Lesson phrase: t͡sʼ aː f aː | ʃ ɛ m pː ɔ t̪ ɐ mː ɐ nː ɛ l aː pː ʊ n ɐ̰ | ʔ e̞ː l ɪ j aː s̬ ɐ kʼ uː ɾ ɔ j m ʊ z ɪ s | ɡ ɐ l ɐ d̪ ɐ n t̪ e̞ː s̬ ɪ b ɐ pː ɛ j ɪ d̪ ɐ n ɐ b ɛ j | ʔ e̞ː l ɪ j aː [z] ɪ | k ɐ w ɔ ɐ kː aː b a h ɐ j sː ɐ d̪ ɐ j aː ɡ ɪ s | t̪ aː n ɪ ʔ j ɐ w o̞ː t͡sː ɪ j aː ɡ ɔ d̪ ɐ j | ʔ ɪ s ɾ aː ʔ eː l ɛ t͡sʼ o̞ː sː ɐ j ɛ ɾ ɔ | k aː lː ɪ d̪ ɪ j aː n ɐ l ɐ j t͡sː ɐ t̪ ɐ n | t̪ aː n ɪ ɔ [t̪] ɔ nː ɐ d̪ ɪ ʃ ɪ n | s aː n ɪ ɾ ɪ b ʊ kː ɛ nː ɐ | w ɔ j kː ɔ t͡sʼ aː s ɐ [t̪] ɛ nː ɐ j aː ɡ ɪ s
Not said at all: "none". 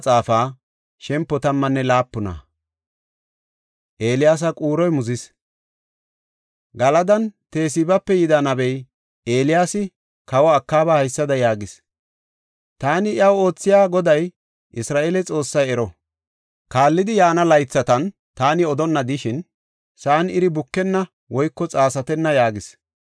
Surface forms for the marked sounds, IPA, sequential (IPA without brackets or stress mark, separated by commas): s, d̪, t̪